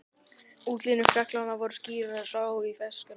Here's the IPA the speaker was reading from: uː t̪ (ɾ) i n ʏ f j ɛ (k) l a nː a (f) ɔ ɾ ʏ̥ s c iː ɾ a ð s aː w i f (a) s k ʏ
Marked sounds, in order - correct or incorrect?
incorrect: l, correct, incorrect: v, incorrect: ɛ

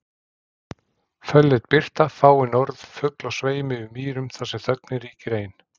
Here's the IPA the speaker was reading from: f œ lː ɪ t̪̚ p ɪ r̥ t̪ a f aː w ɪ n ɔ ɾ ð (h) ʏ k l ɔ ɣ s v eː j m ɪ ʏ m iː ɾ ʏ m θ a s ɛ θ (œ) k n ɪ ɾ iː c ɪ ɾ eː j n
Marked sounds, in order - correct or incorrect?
incorrect: f, correct

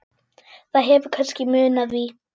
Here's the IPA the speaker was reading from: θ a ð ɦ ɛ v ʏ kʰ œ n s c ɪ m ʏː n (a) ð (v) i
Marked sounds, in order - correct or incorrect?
correct, correct

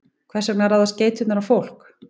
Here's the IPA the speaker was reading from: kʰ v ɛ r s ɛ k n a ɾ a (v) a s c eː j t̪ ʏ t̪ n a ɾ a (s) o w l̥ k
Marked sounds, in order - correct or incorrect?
incorrect: ð, incorrect: f

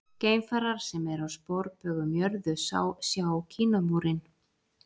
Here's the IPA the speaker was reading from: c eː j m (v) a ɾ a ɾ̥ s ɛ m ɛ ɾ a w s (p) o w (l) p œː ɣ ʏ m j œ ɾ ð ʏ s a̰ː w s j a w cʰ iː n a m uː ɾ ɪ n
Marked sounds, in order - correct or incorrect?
incorrect: f, correct, incorrect: ɾ

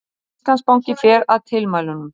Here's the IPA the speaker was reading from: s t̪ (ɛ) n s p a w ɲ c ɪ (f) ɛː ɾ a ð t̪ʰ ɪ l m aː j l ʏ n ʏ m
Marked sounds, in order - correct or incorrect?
incorrect: a, correct

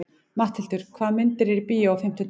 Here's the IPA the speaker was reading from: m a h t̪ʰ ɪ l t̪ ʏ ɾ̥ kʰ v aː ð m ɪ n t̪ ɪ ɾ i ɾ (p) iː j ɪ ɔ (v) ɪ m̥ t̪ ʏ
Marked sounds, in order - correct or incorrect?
correct, incorrect: f

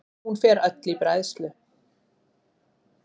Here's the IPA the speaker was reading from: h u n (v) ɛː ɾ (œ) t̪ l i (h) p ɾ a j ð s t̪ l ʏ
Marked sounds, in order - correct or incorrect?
incorrect: f, correct, incorrect: none

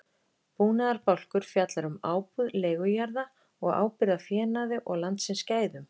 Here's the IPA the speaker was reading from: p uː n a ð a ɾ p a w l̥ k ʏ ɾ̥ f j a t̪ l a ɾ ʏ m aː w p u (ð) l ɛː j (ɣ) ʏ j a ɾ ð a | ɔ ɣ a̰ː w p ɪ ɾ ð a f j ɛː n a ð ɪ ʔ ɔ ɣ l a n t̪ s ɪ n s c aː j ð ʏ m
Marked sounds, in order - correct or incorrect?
correct, correct

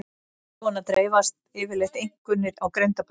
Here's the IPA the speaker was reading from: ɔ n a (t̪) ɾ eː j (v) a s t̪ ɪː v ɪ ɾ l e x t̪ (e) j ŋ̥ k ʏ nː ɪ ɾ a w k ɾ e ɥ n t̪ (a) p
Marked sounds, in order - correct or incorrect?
correct, correct, correct, correct

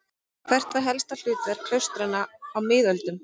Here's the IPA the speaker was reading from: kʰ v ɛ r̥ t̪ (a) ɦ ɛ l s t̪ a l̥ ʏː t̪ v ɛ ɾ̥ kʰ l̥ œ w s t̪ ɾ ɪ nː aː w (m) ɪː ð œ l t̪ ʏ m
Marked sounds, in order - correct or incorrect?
correct, correct

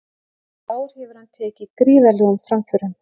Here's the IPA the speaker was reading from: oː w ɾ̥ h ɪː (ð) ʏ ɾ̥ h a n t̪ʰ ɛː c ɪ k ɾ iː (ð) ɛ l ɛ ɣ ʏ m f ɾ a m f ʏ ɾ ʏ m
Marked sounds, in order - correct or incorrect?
incorrect: v, incorrect: v

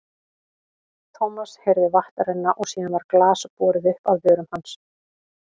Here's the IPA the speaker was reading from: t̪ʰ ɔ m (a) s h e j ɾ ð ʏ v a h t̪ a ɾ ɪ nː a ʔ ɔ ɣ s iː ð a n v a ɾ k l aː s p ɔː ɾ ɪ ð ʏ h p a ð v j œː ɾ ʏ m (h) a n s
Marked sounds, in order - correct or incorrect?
correct, correct

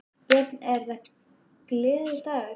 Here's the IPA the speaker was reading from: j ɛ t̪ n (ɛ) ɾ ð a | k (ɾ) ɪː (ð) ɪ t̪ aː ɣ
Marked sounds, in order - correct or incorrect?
correct, incorrect: l, correct

